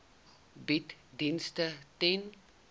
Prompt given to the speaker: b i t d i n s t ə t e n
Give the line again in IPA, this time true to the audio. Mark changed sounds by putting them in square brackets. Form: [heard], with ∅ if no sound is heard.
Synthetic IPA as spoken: b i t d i n s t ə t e n